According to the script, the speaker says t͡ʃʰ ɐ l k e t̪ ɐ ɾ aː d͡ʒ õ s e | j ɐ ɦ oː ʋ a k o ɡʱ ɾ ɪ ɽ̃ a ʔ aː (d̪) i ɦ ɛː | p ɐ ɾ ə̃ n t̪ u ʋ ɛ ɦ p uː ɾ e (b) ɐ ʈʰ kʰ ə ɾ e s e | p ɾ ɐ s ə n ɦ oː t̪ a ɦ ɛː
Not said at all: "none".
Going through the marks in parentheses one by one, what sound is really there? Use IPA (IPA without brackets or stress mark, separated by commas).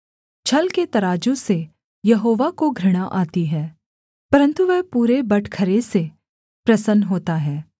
t̪, b